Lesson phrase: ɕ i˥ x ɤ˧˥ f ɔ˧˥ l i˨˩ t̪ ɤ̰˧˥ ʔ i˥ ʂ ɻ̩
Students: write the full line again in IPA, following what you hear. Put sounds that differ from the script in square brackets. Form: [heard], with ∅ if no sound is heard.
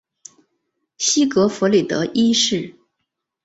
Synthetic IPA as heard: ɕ i˥ [k] ɤ˧˥ f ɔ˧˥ l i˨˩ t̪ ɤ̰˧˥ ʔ i˥ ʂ ɻ̩